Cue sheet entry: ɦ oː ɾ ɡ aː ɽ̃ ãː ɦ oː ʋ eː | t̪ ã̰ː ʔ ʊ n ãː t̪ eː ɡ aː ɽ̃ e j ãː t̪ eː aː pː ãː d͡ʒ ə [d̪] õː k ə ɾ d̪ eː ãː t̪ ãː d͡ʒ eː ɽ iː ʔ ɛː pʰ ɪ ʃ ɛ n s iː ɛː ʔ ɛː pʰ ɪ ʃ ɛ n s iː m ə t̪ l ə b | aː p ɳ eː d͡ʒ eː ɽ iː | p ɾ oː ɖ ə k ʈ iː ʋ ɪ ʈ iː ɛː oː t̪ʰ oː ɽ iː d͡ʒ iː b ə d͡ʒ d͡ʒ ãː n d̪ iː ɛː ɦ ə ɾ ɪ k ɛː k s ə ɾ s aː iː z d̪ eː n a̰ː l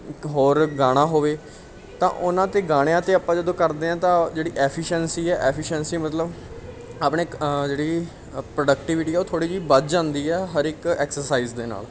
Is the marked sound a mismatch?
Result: no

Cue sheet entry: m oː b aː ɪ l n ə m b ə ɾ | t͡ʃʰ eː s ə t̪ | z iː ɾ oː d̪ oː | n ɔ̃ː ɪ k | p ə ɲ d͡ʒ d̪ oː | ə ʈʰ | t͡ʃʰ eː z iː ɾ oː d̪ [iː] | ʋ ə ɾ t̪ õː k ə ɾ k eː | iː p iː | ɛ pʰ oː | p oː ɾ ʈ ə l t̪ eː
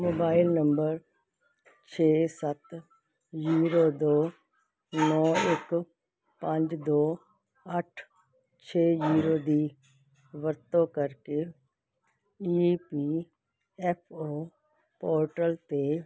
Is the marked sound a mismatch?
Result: no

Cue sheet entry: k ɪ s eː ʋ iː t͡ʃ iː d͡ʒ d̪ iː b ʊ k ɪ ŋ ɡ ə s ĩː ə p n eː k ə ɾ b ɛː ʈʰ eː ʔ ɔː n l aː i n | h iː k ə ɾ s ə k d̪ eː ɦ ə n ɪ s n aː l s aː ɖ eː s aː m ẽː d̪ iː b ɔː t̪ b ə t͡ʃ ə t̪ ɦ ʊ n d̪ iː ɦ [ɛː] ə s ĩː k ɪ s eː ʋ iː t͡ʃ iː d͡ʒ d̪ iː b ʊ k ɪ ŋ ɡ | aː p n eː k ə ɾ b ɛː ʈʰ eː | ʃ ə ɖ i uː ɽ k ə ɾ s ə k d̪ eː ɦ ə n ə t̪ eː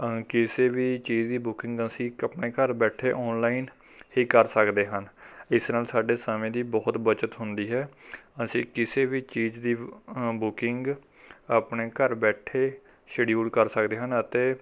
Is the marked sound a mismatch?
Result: no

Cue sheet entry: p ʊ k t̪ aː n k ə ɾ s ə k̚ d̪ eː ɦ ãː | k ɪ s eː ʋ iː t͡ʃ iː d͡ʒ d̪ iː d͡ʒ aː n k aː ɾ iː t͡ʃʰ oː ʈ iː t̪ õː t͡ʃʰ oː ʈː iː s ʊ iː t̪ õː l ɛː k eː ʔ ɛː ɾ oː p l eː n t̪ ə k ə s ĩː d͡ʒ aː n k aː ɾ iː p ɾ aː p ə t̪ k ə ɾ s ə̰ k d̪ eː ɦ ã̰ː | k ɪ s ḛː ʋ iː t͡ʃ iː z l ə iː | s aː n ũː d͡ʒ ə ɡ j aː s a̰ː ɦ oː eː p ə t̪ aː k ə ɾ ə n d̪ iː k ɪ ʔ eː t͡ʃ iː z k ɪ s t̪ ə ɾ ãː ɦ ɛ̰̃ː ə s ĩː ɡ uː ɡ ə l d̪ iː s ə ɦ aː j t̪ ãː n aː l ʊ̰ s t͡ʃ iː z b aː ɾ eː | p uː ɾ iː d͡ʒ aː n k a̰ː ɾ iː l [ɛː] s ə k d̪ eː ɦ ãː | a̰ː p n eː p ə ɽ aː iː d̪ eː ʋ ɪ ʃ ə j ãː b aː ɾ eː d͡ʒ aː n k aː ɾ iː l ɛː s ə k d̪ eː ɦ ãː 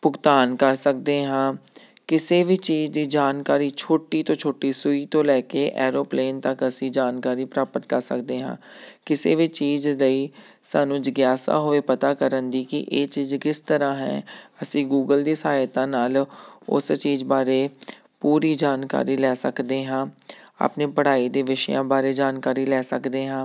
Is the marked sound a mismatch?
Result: no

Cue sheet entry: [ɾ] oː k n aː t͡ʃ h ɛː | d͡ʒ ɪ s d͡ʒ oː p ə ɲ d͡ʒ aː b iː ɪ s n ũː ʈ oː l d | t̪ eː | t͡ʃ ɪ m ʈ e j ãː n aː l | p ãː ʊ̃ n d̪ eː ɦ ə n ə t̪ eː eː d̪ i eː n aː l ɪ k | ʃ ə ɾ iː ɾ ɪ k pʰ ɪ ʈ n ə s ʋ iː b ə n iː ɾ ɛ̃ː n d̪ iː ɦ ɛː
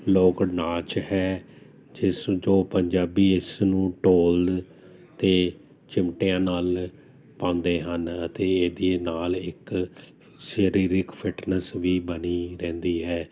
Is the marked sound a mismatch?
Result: yes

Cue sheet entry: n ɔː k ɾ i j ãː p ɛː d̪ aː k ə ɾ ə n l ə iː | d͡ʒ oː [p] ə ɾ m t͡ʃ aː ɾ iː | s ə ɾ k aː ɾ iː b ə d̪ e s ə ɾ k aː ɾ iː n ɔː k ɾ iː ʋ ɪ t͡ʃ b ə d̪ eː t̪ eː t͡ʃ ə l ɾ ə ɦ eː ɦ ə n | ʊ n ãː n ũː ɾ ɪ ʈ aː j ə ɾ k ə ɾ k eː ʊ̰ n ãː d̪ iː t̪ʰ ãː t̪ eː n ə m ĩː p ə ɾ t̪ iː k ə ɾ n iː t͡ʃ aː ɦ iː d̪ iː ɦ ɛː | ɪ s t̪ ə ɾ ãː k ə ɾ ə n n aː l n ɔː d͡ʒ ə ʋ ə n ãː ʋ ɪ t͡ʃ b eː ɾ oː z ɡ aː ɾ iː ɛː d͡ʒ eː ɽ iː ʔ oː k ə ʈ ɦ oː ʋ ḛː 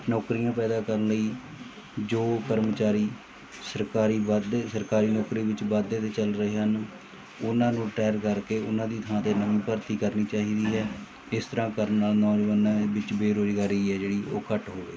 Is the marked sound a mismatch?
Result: yes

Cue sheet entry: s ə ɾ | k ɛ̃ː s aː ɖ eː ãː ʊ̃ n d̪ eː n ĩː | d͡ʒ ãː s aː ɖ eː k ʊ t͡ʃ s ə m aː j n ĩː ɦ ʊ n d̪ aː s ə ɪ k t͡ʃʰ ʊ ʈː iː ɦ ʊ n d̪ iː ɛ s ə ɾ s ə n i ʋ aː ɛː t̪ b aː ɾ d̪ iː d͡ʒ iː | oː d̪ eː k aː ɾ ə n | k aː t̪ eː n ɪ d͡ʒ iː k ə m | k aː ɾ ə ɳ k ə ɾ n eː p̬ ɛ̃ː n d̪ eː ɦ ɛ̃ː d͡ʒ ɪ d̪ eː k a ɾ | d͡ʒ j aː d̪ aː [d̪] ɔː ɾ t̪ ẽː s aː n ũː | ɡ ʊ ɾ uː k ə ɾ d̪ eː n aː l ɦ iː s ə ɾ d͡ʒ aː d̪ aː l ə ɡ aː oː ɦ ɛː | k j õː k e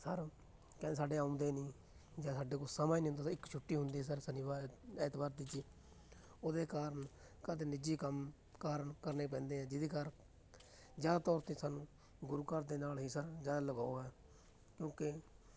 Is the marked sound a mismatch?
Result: yes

